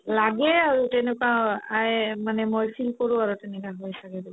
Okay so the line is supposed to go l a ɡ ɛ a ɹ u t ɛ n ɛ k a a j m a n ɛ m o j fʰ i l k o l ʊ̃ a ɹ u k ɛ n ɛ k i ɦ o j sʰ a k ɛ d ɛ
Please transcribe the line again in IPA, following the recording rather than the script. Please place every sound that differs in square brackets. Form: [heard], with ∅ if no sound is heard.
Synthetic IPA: l a ɡ ɛ a ɹ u t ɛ n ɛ k a a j m a n ɛ m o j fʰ i l k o [ɹ] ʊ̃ a ɹ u [t] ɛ n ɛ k [a] ɦ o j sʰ a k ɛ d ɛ